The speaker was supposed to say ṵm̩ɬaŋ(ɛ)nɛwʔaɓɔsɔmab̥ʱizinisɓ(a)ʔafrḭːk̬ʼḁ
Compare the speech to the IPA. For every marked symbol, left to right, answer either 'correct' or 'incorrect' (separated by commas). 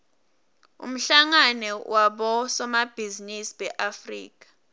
incorrect, incorrect